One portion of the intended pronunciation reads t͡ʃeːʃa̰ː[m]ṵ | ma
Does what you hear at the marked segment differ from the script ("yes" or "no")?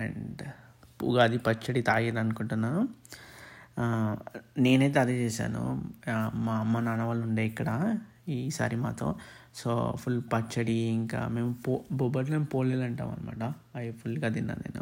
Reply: yes